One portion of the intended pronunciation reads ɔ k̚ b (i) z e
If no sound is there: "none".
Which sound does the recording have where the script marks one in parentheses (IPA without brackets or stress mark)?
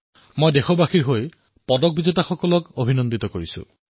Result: i